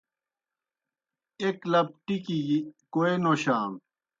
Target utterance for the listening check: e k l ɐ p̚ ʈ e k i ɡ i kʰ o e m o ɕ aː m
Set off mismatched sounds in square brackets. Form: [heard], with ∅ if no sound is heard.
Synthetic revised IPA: e k l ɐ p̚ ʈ [i] k i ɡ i [k] o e [n] o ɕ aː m